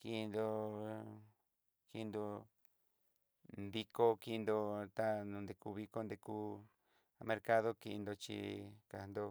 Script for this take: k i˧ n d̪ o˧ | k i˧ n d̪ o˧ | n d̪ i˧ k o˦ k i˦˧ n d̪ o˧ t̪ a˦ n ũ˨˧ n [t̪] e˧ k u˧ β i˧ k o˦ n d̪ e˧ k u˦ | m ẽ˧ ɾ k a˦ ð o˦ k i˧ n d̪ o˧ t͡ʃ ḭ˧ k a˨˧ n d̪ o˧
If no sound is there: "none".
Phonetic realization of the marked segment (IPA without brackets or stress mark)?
d̪